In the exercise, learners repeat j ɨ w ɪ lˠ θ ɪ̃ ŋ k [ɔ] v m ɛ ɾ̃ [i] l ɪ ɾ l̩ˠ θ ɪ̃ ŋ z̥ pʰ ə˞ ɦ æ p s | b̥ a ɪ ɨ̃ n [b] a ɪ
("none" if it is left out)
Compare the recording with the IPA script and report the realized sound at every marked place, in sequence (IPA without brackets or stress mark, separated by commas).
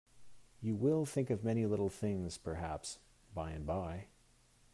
ʌ, i, b